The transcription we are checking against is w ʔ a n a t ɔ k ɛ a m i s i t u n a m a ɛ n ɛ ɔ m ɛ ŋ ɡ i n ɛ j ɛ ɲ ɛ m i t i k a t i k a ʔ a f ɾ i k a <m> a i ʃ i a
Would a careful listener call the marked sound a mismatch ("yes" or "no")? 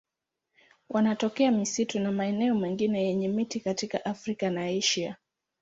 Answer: yes